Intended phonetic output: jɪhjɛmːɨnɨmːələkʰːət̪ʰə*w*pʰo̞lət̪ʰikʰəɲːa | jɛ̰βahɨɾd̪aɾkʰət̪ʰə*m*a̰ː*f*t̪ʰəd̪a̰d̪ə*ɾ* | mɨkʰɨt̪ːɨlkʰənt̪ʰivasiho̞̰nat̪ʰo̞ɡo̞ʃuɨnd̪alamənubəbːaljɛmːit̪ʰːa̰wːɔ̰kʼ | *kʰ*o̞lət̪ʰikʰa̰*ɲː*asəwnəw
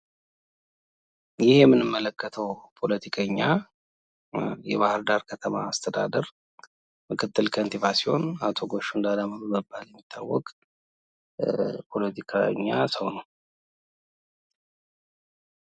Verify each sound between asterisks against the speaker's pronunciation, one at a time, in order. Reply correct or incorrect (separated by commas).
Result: correct, correct, incorrect, correct, incorrect, correct